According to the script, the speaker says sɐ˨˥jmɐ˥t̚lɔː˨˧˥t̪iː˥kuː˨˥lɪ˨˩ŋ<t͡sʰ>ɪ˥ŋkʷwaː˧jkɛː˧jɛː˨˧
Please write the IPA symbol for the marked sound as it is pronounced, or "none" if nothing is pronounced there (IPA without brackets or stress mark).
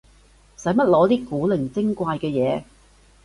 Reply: t͡s